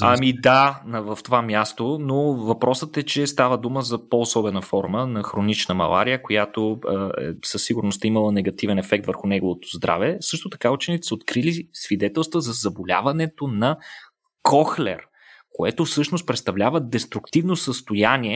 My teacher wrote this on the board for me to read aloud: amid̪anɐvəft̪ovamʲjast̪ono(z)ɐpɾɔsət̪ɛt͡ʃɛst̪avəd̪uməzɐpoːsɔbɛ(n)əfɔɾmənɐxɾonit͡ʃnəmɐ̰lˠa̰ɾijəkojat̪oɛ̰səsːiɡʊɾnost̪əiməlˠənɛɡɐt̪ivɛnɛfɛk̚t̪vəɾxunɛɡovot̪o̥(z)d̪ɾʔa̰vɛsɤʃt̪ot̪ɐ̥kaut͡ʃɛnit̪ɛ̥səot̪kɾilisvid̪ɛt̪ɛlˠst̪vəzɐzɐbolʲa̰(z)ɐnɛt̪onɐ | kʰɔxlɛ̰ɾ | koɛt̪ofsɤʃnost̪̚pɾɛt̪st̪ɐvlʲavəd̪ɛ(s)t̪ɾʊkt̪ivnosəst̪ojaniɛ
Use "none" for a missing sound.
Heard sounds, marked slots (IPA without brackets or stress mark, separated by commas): v, n, z, v, s